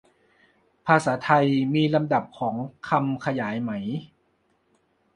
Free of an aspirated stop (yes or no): no